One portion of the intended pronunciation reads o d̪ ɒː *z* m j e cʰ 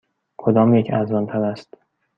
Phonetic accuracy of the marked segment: incorrect: none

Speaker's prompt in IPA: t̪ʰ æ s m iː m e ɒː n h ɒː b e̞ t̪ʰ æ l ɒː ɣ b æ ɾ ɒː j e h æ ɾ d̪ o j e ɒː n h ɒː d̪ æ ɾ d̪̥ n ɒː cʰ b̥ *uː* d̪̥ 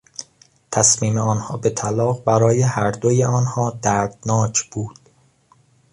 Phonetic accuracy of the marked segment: correct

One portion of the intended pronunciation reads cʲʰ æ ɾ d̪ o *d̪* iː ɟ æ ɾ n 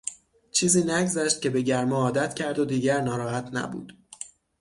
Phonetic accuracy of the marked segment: correct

